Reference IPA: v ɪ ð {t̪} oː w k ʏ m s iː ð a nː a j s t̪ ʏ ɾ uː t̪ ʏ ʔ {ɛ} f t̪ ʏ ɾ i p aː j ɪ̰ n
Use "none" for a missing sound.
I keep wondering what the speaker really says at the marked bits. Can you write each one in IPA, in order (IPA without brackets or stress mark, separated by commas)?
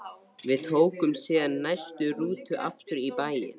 t̪ʰ, a